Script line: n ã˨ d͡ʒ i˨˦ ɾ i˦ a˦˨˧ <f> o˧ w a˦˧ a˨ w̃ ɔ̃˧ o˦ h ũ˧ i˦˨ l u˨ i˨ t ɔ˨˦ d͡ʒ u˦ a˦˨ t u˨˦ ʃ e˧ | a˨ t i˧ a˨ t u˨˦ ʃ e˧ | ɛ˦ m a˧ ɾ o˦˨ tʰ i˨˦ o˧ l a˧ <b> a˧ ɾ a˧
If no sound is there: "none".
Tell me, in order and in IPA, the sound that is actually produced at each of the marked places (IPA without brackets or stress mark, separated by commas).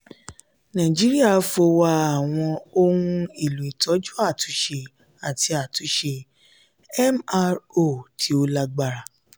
f, ɡ͡b